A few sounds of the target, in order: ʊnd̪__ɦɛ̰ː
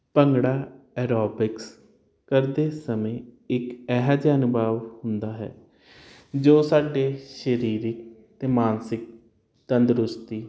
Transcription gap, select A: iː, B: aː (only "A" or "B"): B